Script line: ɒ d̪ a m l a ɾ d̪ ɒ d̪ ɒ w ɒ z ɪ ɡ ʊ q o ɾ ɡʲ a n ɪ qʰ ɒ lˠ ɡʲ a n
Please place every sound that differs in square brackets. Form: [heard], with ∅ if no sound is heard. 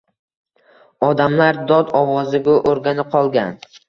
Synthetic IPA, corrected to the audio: ɒ d̪ a m l a ɾ d̪ ɒ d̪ ɒ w ɒ z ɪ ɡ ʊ [ʔ] o ɾ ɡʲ a n ɪ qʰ ɒ lˠ ɡʲ a n